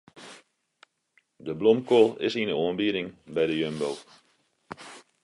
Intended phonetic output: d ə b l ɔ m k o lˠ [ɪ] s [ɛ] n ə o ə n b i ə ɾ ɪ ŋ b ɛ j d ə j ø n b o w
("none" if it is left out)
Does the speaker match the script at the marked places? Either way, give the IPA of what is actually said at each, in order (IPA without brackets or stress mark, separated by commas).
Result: ɪ, i